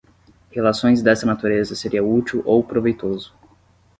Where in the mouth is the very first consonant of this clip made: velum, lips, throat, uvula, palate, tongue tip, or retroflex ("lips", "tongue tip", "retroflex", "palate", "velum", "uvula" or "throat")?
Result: throat